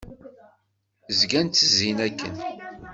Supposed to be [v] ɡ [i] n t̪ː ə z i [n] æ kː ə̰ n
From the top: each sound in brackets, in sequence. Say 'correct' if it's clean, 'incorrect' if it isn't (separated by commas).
incorrect, incorrect, correct